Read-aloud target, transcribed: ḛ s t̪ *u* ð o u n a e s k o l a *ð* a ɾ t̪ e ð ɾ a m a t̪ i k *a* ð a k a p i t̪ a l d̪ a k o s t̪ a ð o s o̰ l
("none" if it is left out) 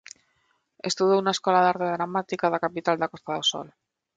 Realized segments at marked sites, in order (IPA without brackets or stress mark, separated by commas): u, ð, a